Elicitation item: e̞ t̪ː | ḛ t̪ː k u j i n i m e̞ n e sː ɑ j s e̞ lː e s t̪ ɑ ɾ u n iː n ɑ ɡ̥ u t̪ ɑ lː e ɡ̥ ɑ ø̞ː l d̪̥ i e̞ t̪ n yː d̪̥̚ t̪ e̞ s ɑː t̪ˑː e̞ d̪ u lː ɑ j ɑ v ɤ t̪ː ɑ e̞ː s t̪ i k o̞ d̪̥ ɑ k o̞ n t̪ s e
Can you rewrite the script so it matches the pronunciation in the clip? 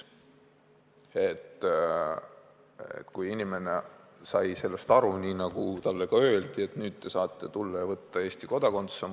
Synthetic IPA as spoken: e̞ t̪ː | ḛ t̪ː k u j i n i m e̞ n e s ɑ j s e̞ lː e s t̪ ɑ ɾ u n iː n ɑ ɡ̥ u t̪ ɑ lː e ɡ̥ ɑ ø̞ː l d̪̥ i e̞ t̪ n yː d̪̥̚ t̪ e̞ s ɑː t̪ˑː e̞ t̪ u lː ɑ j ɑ v ɤ t̪ː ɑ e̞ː s t̪ i k o̞ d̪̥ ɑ k o̞ n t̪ s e